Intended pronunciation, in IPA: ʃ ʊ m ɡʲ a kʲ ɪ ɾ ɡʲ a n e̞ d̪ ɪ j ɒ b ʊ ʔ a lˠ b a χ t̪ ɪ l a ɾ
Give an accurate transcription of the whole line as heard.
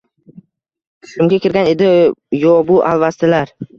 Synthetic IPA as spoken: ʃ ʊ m ɡʲ a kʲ ɪ ɾ ɡʲ a n e̞ d̪ ɪ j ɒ b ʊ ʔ a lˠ v a s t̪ ɪ l a ɾ